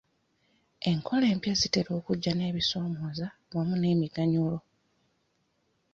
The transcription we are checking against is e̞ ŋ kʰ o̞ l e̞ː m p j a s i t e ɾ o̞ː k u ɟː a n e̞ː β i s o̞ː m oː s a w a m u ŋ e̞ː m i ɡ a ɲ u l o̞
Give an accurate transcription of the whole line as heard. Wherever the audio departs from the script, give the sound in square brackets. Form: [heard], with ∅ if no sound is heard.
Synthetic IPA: e̞ ŋ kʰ o̞ l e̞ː m p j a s i t e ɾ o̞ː k u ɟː a n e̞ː β i s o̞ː m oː [z] a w a m u [n] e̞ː m i ɡ a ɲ u l o̞